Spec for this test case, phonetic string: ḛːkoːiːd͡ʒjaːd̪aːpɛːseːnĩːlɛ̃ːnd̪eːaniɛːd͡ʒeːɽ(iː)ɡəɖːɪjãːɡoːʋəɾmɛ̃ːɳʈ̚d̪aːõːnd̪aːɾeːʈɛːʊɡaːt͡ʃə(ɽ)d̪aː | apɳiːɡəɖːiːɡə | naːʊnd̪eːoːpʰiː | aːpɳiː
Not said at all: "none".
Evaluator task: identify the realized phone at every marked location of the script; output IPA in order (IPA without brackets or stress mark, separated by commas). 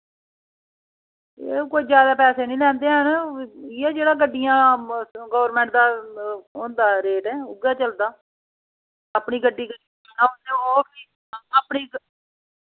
aː, l